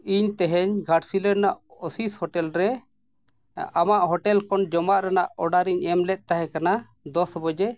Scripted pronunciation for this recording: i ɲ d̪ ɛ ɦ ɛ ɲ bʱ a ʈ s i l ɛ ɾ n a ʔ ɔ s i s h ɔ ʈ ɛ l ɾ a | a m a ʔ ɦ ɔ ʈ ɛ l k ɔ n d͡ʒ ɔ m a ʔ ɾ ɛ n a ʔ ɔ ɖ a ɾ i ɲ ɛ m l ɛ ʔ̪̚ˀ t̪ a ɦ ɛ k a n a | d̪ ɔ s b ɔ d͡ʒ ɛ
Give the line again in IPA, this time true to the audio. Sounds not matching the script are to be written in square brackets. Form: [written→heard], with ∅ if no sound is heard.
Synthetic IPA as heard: i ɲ [d̪→t̪] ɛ ɦ ɛ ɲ [bʱ→ɡʱ] a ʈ s i l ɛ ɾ n a ʔ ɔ s i s h ɔ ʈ ɛ l ɾ [a→ɛ] | a m a ʔ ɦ ɔ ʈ ɛ l k ɔ n d͡ʒ ɔ m a ʔ ɾ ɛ n a ʔ ɔ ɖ a ɾ i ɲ ɛ m l ɛ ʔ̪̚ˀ t̪ a ɦ ɛ k a n a | d̪ ɔ s b ɔ d͡ʒ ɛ

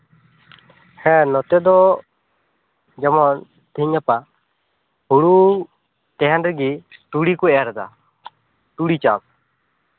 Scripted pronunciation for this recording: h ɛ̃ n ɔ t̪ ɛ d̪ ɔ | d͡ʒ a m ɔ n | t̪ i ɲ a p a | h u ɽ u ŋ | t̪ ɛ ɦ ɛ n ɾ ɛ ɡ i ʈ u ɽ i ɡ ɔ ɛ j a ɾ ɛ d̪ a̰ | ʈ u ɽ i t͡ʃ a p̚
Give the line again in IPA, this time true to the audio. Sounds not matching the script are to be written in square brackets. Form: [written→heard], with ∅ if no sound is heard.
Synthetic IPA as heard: h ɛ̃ n ɔ t̪ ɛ d̪ ɔ | d͡ʒ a m ɔ n | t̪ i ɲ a p a | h u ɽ u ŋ | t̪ ɛ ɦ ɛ n ɾ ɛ ɡ i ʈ u ɽ i [ɡ→k] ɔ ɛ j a ɾ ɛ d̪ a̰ | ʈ u ɽ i t͡ʃ a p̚

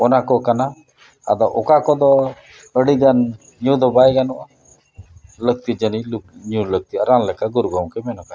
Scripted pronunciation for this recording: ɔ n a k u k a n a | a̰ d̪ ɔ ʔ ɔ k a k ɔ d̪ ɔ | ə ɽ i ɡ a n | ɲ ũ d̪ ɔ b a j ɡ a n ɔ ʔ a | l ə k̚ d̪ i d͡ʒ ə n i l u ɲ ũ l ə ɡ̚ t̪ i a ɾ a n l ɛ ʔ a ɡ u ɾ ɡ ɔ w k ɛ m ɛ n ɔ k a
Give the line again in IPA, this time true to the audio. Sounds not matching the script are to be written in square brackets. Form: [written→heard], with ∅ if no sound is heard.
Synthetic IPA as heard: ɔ n a k [u→ɔ] k a n a | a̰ d̪ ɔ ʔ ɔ k a k ɔ d̪ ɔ | ə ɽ i ɡ a n | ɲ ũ d̪ ɔ b a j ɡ a n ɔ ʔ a | l ə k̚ [d̪→t̪] i d͡ʒ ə n i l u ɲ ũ l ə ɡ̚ t̪ i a ɾ a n l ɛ [ʔ→k] a ɡ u ɾ ɡ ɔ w k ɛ m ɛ n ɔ k a

